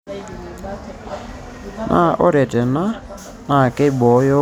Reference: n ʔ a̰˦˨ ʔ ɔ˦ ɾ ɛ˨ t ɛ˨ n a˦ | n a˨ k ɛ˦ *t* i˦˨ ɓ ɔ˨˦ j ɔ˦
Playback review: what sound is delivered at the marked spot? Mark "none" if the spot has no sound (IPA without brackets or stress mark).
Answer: none